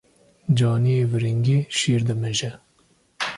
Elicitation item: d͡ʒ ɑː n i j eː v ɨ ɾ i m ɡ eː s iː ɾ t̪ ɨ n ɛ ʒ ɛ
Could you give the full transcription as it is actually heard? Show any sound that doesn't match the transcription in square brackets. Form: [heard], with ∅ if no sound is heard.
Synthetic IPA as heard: d͡ʒ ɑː n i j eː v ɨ ɾ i [ŋ] ɡ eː [ʃ] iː ɾ [d̪] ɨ [m] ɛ ʒ ɛ